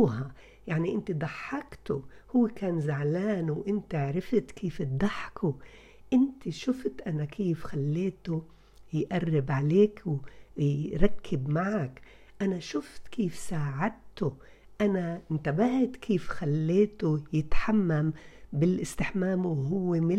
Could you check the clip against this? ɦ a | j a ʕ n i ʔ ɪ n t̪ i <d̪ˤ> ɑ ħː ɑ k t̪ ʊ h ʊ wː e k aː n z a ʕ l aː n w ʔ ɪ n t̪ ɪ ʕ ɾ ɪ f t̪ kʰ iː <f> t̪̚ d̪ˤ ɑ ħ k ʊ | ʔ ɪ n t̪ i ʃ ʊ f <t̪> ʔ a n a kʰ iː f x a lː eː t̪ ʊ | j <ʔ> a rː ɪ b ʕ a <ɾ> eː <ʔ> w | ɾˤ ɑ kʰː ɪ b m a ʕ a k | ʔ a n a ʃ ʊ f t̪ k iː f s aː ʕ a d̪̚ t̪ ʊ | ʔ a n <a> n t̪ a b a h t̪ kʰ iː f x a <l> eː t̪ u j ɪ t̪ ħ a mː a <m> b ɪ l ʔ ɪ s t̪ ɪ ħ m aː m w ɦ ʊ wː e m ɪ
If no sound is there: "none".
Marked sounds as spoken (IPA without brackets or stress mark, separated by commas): d̪ˤ, f, t̪, ʔ, l, k, a, lː, m